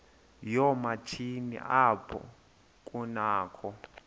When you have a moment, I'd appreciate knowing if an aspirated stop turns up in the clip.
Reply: yes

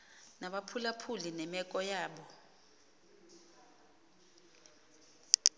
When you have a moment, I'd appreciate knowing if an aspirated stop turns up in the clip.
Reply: yes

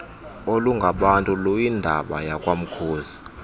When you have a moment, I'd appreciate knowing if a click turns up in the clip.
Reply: no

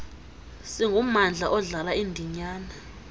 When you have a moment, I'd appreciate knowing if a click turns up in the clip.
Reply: no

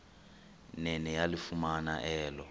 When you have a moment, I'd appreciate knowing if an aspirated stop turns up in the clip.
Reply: no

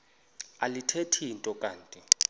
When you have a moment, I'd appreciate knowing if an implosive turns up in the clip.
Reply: no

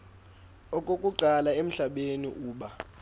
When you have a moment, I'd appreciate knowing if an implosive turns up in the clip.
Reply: yes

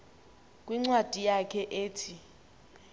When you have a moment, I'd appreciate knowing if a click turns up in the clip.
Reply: yes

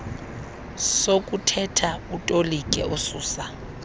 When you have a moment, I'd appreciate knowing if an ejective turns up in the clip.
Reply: yes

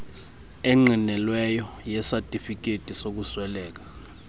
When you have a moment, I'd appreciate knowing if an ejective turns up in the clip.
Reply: yes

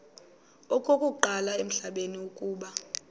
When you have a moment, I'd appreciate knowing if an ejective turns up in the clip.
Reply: yes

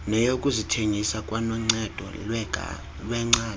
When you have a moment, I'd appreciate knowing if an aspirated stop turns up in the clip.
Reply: yes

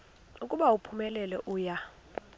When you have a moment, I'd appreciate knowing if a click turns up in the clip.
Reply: no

